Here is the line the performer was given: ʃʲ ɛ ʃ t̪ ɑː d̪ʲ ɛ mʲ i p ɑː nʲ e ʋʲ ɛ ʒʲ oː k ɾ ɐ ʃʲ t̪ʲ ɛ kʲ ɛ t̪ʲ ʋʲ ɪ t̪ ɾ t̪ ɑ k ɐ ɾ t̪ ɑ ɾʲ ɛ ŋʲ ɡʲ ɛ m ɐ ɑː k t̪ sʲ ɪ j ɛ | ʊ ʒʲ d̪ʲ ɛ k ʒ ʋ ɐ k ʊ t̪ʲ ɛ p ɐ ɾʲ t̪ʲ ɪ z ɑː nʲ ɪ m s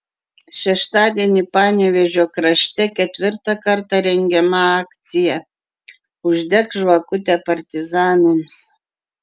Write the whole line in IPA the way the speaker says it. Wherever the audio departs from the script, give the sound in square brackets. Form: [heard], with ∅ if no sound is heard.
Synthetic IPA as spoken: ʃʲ ɛ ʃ t̪ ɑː d̪ʲ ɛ [nʲ] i p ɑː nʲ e ʋʲ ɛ ʒʲ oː k ɾ ɐ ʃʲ t̪ʲ ɛ kʲ ɛ t̪ʲ ʋʲ ɪ [∅] ɾ t̪ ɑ k ɐ ɾ t̪ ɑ ɾʲ ɛ ŋʲ ɡʲ ɛ m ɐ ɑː k t̪ sʲ ɪ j ɛ | ʊ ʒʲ d̪ʲ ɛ k ʒ ʋ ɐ k ʊ t̪ʲ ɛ p ɐ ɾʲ t̪ʲ ɪ z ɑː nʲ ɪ m s